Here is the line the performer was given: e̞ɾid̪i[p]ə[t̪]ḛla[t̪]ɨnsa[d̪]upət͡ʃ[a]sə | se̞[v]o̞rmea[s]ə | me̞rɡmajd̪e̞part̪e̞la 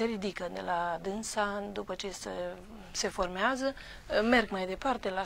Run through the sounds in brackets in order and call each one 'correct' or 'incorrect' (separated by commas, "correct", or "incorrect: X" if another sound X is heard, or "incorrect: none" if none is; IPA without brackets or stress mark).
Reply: incorrect: k, incorrect: d̪, incorrect: d̪, correct, incorrect: e, incorrect: f, incorrect: z